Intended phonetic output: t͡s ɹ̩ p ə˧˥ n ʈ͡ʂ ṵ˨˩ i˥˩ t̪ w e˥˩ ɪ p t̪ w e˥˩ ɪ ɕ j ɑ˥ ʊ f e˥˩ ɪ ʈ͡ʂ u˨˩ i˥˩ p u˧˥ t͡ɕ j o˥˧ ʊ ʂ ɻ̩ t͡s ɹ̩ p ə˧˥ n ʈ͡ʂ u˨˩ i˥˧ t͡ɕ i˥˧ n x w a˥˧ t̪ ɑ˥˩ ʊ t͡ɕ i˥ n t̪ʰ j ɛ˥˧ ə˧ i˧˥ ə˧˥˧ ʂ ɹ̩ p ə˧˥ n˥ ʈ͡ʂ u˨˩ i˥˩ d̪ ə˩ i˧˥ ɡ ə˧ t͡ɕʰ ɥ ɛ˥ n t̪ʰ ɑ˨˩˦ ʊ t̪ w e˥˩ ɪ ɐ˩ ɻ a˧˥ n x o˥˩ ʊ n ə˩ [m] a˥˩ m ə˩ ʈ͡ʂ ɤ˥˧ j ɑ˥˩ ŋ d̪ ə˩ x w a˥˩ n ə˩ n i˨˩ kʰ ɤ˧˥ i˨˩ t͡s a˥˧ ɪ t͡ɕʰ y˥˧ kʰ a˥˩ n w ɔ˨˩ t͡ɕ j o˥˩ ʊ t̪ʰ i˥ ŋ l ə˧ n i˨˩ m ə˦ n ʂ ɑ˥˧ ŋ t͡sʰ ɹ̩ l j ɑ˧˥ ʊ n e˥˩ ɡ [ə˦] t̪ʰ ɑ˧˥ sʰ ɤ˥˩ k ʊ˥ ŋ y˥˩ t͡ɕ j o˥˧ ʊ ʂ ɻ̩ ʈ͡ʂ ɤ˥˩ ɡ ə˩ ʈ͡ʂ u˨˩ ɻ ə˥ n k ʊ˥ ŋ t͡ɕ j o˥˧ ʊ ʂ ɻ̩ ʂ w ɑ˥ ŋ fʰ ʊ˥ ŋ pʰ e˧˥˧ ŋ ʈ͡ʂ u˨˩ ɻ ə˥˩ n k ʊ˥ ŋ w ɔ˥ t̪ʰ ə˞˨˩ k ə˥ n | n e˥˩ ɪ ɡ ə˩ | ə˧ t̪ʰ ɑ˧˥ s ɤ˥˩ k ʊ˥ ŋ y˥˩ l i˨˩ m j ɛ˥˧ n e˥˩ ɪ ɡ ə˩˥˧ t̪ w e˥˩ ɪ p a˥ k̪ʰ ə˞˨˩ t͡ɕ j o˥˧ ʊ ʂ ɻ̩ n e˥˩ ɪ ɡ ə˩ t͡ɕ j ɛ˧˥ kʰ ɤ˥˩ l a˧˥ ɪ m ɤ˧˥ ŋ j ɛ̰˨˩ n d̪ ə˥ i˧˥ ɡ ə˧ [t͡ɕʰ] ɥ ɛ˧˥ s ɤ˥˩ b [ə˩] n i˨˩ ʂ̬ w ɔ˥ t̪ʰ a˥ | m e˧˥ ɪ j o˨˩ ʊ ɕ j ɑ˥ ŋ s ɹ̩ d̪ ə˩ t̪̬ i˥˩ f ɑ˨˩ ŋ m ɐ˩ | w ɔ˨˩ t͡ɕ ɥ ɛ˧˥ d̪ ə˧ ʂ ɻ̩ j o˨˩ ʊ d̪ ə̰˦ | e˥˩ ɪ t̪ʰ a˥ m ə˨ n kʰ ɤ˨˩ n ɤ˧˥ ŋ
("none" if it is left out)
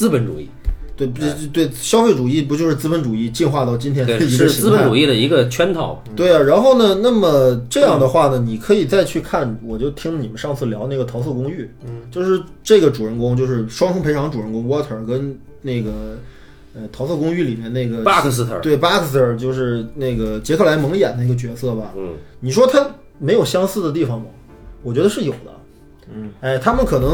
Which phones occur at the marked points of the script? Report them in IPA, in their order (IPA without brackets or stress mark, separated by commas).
n, ə˩, t͡ɕ, ɐ˩